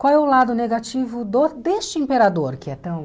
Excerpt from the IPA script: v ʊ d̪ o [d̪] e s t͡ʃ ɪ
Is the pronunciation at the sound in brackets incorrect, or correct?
correct